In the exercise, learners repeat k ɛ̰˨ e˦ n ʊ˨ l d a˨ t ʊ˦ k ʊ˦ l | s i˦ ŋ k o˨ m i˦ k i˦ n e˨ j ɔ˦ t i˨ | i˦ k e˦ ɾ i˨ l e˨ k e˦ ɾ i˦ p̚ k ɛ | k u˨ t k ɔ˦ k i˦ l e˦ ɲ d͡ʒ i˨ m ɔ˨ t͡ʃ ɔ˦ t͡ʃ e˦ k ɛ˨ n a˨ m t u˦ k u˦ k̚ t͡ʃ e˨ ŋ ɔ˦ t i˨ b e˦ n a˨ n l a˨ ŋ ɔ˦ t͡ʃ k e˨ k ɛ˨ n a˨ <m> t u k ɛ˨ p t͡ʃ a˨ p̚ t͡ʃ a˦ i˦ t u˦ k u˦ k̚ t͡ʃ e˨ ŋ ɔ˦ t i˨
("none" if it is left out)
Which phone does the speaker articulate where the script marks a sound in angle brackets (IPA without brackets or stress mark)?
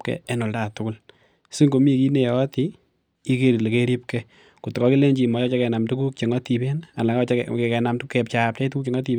m